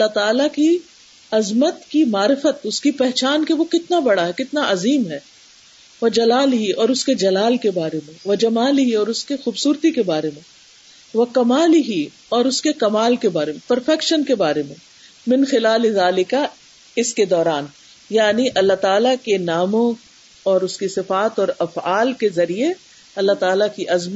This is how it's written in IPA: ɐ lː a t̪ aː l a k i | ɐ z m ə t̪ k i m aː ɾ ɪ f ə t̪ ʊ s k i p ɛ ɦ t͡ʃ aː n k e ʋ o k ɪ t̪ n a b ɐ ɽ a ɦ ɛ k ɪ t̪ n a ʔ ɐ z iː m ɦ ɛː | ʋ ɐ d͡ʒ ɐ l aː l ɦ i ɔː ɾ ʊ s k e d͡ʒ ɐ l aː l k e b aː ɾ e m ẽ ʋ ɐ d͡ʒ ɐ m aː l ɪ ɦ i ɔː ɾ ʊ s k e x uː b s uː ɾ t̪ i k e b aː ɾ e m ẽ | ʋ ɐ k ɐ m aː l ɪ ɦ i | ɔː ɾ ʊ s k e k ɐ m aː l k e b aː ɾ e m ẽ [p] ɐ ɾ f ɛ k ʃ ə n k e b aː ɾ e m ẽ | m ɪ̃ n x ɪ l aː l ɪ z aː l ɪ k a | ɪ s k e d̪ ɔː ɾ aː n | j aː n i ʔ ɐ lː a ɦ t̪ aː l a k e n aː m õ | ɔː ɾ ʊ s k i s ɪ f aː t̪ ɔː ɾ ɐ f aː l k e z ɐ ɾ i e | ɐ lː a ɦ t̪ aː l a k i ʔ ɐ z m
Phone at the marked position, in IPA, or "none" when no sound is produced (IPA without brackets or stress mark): p